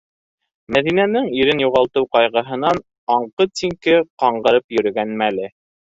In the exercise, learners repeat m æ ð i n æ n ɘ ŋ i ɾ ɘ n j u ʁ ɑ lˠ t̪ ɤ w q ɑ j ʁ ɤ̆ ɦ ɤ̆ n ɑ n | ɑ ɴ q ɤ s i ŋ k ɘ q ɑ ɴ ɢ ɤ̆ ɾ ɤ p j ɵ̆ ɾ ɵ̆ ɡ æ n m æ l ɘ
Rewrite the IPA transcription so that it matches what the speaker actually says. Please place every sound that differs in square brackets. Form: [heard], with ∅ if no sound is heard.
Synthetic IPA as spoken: m æ ð i n æ n ɘ ŋ i ɾ ɘ n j u ʁ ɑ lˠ t̪ ɤ w q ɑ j ʁ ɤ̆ ɦ ɤ̆ n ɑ n | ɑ ɴ q ɤ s i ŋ k ɘ q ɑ ɴ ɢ ɤ̆ ɾ ɤ p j ɵ̆ ɾ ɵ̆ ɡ æ n m æ l ɘ

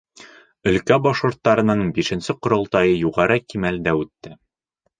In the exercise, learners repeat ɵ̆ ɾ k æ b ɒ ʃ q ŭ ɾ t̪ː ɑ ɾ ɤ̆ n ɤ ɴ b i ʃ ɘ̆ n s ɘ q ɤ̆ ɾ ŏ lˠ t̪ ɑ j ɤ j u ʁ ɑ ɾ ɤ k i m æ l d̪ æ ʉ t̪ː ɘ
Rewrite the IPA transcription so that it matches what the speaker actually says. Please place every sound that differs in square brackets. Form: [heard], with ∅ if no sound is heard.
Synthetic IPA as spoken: ɵ̆ [l] k æ b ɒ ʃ q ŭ ɾ t̪ː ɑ ɾ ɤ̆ n ɤ ɴ b i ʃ ɘ̆ n s ɘ q [ŏ] ɾ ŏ lˠ t̪ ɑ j ɤ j u ʁ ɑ ɾ ɤ k i m æ l d̪ æ ʉ t̪ː ɘ

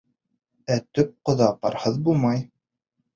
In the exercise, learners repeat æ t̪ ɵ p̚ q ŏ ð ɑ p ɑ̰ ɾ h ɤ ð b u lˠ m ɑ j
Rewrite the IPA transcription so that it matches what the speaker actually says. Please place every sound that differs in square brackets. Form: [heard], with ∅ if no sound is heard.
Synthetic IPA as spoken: æ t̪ ɵ p̚ q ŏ ð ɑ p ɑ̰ ɾ h ɤ ð b u lˠ m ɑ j

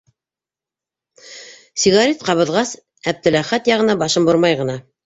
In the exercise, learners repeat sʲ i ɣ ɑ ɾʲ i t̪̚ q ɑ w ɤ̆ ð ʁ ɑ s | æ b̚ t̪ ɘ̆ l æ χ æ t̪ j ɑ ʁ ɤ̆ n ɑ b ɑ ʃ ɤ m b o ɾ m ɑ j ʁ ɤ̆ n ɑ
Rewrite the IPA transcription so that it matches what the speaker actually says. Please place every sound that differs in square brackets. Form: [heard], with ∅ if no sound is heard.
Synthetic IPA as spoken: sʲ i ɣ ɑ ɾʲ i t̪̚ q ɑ [β] ɤ̆ ð ʁ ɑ s | æ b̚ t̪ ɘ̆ l æ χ æ t̪ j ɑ ʁ ɤ̆ n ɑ b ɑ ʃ ɤ m b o ɾ m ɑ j ʁ ɤ̆ n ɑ

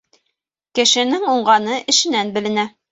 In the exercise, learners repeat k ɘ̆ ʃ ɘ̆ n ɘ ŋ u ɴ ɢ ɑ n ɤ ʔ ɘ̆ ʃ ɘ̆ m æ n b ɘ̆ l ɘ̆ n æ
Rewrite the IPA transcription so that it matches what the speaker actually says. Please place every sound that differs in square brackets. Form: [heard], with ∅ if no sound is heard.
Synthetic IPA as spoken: k ɘ̆ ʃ ɘ̆ n ɘ ŋ u ɴ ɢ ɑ n ɤ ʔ ɘ̆ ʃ ɘ̆ [n] æ n b ɘ̆ l ɘ̆ n æ

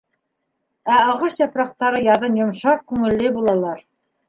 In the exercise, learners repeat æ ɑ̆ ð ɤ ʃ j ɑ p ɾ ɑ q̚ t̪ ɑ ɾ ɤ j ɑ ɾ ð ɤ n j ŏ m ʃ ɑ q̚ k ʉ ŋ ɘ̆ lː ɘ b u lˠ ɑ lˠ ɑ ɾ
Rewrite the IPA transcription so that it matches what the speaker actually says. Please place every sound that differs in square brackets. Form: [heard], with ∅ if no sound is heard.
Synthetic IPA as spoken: æ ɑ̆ [ʁ] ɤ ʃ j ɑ p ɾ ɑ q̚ t̪ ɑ ɾ ɤ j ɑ [∅] ð ɤ n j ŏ m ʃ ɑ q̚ k ʉ ŋ ɘ̆ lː ɘ b u lˠ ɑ lˠ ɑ ɾ

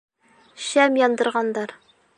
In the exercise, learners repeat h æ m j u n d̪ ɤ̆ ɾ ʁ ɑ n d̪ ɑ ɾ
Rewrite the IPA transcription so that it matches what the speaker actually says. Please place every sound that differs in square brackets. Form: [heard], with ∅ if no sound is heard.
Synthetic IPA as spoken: [ɕ] æ m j [ɒ] n d̪ ɤ̆ ɾ ʁ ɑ n d̪ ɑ ɾ

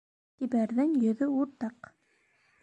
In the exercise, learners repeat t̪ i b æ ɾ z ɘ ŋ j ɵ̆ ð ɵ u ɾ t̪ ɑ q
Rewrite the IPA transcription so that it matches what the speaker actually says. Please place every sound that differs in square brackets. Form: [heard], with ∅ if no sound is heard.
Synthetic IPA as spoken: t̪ i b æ ɾ [ð] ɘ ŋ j ɵ̆ ð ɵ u ɾ t̪ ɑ q

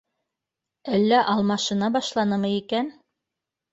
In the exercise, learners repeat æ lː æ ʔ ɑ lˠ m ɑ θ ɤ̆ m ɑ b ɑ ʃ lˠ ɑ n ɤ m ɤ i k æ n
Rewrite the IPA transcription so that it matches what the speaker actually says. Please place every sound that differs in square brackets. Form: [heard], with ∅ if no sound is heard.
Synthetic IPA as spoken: æ lː æ ʔ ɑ lˠ m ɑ [ʃ] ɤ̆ [n] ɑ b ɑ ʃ lˠ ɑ n ɤ m ɤ i k æ n

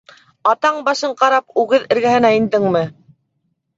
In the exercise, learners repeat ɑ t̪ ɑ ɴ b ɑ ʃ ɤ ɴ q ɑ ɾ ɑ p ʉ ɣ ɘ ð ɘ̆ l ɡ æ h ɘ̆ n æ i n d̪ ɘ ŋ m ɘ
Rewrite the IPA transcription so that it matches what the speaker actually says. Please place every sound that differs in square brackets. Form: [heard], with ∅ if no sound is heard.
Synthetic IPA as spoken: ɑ t̪ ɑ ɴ b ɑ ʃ ɤ ɴ q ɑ ɾ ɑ p ʉ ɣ ɘ ð ɘ̆ [ɾ] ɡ æ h ɘ̆ n æ i n d̪ ɘ ŋ m ɘ

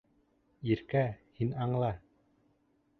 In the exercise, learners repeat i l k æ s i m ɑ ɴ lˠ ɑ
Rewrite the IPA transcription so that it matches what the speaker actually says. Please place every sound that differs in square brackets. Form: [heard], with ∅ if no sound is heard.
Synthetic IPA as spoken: i [ɾ] k æ [h] i [n] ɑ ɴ lˠ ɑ

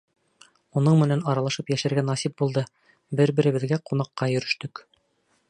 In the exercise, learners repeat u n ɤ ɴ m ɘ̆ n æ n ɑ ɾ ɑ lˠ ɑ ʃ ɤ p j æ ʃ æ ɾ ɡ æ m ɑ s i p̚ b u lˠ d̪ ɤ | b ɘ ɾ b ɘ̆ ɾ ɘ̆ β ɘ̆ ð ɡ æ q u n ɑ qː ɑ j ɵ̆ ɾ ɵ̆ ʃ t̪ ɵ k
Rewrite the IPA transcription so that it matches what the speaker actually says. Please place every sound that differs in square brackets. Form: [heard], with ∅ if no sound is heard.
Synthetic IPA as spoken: u n ɤ ɴ m ɘ̆ n æ n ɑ ɾ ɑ lˠ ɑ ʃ ɤ p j æ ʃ æ ɾ ɡ æ [n] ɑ s i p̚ b u lˠ d̪ ɤ | b ɘ ɾ b ɘ̆ ɾ ɘ̆ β ɘ̆ ð ɡ æ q u n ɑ qː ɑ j ɵ̆ ɾ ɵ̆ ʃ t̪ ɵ k

